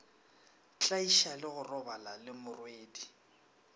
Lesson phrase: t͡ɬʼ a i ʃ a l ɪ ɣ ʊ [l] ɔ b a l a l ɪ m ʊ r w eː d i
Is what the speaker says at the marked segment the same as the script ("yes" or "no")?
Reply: no